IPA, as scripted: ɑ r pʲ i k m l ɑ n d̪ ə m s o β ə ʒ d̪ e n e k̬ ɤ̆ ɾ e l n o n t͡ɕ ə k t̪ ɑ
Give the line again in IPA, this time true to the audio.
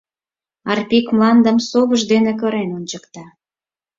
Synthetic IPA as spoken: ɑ r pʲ i k m l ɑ n d̪ ə m s o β ə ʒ d̪ e n e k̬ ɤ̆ ɾ e n o n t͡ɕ ə k t̪ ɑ